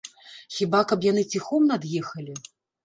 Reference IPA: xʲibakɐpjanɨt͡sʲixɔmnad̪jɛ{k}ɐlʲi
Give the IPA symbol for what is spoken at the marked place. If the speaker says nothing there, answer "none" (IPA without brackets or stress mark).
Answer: x